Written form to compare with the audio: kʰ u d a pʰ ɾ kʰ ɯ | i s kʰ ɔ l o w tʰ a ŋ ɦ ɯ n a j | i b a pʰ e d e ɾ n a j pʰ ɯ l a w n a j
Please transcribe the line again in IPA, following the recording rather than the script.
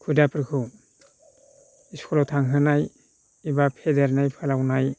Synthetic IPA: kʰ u d a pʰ ɾ kʰ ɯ | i s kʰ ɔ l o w tʰ a ŋ ɦ ɯ n a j | i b a pʰ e d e ɾ n a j pʰ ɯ l a w n a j